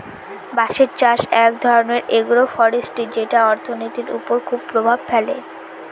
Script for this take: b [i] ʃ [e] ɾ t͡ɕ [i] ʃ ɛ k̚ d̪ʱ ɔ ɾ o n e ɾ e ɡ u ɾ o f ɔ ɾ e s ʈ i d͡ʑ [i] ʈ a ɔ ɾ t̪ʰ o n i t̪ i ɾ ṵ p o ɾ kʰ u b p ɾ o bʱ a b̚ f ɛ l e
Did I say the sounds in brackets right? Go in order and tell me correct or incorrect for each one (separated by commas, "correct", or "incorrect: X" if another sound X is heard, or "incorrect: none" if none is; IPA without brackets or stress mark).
incorrect: a, correct, incorrect: a, incorrect: e